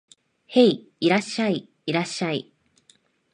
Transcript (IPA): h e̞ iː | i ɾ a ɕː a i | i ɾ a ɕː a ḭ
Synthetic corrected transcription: h e̞ i | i ɾ a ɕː a i | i ɾ a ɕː a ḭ